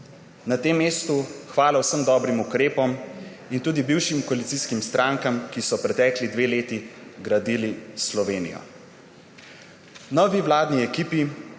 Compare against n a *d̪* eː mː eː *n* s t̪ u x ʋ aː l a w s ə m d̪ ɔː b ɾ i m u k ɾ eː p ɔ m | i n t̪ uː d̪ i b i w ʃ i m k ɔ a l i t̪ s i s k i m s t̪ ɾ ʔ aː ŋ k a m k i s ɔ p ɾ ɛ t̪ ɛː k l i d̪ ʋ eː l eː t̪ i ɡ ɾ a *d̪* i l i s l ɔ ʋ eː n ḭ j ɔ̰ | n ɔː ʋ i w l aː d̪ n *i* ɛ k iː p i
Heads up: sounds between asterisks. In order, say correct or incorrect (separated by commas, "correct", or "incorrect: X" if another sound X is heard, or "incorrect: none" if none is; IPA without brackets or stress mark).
incorrect: t̪, incorrect: none, correct, correct